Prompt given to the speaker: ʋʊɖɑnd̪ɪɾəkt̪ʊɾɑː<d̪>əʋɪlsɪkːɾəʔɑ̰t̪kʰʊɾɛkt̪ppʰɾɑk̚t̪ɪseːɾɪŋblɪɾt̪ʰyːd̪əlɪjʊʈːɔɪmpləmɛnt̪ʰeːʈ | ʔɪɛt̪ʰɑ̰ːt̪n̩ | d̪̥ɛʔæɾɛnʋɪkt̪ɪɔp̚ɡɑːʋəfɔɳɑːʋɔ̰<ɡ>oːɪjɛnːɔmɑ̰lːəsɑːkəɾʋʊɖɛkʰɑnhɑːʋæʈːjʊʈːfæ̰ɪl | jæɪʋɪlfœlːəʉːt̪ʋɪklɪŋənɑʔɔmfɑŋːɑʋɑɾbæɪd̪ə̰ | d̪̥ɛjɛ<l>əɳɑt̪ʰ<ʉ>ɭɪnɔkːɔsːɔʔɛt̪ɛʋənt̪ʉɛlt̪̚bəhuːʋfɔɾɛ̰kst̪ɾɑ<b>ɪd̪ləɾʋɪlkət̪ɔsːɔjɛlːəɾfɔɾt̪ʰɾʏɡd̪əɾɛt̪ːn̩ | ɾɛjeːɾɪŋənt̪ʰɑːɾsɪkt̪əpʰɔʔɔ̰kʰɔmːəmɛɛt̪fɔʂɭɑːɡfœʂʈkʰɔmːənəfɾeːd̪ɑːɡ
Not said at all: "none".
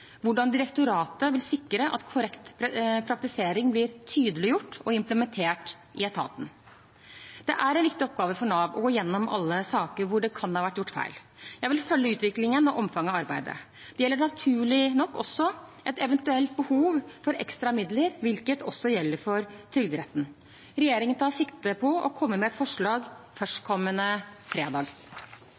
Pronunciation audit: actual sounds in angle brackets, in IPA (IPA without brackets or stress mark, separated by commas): t̪, ɡ, lː, ʉː, m